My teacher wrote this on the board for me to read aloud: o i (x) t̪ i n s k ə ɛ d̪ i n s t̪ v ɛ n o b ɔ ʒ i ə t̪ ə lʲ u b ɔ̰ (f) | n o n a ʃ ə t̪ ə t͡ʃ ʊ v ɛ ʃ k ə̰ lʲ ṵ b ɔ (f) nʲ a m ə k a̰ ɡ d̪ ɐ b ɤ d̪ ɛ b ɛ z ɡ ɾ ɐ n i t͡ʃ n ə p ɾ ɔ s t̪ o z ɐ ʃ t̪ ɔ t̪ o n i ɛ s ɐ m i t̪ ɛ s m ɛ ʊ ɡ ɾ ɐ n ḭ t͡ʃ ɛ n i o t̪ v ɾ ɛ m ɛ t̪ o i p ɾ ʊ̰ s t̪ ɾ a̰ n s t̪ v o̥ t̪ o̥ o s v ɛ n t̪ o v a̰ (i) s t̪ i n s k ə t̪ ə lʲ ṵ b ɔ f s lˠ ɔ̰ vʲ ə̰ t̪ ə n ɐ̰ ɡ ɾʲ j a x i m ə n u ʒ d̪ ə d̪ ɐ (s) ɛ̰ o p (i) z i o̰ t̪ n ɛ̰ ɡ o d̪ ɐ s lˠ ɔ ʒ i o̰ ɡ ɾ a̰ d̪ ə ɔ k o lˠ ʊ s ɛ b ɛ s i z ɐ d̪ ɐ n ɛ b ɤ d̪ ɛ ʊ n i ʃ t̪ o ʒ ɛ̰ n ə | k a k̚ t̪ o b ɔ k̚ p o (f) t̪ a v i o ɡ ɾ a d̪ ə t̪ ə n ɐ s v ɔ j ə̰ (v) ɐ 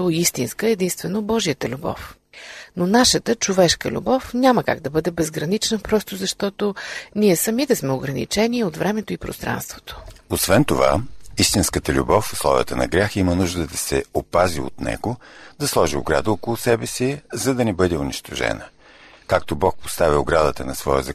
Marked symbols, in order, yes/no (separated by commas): no, yes, yes, yes, yes, no, no, no